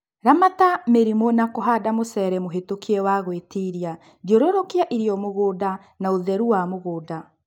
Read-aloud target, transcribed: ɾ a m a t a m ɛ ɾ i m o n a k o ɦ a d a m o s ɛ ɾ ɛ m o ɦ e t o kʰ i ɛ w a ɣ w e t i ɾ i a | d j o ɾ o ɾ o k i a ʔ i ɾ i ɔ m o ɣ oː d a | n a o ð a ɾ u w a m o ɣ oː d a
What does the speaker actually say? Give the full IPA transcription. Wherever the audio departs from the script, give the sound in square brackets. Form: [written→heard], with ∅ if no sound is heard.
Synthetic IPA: ɾ a m a t a m [ɛ→e] ɾ i m o n a k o ɦ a d a m o s ɛ ɾ ɛ m o ɦ e t o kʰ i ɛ w a ɣ w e t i ɾ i a | d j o ɾ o ɾ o k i a ʔ i ɾ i ɔ m o ɣ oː d a | n a o ð [a→ɛ] ɾ u w a m o ɣ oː d a